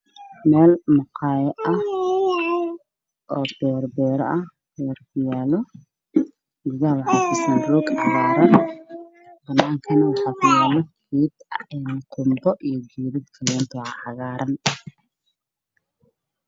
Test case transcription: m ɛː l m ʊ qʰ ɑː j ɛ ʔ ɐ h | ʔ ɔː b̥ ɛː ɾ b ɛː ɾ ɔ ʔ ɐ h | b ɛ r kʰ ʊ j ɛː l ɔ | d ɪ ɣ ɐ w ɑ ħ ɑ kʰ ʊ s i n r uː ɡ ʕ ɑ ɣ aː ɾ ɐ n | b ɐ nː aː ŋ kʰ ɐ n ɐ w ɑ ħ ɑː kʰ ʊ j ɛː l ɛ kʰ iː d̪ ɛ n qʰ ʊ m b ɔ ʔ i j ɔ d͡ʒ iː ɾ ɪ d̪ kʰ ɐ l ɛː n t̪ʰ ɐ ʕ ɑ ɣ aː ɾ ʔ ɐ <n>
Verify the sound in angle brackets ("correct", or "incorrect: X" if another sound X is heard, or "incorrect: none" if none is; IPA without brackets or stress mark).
correct